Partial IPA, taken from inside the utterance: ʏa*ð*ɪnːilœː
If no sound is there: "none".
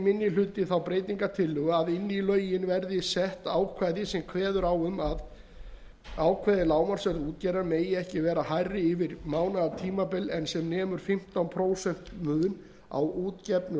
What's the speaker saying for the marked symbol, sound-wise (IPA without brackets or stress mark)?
ð